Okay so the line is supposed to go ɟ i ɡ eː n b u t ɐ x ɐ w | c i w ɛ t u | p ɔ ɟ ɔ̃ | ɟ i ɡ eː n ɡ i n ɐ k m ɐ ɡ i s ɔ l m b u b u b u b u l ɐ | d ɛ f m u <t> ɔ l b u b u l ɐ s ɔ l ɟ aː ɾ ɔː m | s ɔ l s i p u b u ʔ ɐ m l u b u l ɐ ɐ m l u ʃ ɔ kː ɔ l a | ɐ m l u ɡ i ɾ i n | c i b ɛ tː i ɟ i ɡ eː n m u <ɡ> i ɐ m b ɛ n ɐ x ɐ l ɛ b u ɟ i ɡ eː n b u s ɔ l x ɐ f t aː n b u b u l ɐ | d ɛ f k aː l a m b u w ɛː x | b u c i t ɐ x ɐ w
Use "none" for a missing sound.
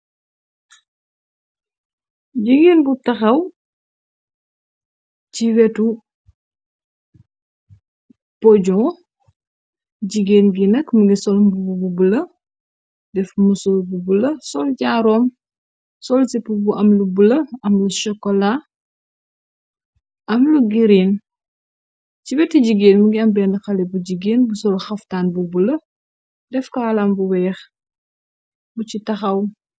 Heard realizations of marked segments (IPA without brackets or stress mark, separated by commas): s, ɡ